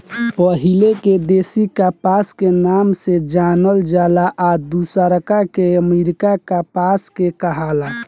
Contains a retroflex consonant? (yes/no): no